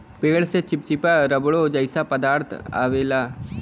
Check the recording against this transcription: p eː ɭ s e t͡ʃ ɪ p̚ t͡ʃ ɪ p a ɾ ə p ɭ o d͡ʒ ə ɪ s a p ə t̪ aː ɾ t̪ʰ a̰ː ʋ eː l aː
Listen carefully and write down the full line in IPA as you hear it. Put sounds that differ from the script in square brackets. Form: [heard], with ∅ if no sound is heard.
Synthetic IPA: p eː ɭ s e t͡ʃ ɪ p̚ t͡ʃ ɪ p a ɾ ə [b] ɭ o d͡ʒ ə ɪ s a p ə [d̪] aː ɾ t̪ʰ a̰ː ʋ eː l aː